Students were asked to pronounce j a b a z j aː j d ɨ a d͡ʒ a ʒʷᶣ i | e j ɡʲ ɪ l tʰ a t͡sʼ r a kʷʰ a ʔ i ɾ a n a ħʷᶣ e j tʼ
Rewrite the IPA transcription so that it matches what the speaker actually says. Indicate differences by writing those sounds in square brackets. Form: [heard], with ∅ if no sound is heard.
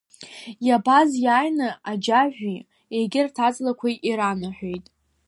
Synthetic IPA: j a b a z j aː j [n] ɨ a d͡ʒ a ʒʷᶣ i | e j ɡʲ ɪ [r] tʰ a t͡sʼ [l] a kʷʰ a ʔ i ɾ a n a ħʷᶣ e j tʼ